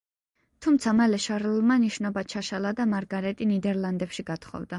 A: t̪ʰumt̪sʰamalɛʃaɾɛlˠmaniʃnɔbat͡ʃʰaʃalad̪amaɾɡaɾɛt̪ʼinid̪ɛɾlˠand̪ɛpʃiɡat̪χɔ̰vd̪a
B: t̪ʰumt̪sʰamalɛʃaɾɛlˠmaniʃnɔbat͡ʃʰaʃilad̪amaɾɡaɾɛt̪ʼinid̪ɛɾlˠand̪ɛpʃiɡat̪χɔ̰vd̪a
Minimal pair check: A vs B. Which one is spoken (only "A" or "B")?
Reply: A